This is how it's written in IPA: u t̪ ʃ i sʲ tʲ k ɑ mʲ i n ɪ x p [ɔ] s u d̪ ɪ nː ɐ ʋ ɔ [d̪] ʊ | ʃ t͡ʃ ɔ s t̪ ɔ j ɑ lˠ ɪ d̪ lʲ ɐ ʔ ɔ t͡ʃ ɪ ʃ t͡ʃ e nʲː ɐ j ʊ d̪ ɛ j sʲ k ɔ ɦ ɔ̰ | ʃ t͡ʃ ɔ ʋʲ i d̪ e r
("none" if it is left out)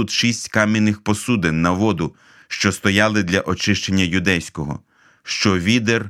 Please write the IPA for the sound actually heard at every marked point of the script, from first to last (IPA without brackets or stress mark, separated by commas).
ɔ, d̪